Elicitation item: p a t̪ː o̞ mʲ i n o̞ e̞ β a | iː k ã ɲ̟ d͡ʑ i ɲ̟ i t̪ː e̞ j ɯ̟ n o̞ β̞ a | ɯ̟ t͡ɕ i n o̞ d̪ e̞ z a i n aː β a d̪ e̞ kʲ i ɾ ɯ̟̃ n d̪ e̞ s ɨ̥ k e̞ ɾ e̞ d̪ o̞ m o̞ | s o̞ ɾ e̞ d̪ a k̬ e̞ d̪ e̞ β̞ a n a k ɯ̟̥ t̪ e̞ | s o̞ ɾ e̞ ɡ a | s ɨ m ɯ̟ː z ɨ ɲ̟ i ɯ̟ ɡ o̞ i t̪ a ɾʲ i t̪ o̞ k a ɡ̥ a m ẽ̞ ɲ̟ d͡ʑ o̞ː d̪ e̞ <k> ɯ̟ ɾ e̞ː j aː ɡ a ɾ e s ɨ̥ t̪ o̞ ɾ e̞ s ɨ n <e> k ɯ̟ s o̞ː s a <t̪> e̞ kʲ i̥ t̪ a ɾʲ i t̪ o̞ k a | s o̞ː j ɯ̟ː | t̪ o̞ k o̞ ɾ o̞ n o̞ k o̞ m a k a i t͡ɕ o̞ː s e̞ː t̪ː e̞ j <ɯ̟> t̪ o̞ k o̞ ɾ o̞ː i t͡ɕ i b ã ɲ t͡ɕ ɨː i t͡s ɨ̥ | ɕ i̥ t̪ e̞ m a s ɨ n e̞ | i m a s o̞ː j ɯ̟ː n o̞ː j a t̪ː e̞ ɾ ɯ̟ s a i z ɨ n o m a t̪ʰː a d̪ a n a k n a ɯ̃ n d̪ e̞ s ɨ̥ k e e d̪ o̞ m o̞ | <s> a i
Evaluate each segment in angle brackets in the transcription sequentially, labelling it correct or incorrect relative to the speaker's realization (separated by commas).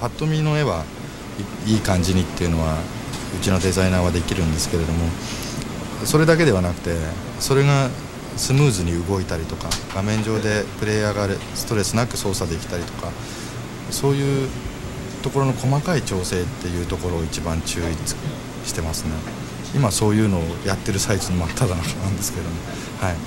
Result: incorrect, incorrect, incorrect, incorrect, incorrect